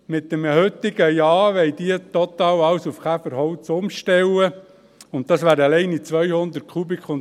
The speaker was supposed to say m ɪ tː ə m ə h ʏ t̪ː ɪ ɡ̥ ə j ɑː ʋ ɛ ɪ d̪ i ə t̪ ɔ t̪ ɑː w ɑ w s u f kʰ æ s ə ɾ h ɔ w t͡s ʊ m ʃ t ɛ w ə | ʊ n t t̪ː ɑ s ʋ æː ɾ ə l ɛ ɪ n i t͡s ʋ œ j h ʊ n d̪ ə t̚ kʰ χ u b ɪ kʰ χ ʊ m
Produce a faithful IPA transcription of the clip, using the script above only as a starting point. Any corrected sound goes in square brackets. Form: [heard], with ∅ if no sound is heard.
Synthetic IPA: m ɪ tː ə m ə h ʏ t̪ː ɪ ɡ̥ ə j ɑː ʋ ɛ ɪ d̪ i ə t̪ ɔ t̪ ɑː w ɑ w s u f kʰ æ [f] ə ɾ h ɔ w t͡s ʊ m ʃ t ɛ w ə | ʊ n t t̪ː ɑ s ʋ æː ɾ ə l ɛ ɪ n i t͡s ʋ œ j h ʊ n d̪ ə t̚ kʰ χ u b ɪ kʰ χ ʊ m